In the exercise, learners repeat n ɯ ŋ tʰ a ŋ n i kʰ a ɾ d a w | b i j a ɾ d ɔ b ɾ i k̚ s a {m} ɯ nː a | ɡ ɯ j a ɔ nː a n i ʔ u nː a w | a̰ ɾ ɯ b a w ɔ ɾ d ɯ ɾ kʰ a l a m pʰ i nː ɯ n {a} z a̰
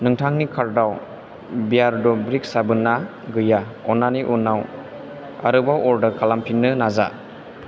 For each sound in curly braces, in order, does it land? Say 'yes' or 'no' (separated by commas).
no, yes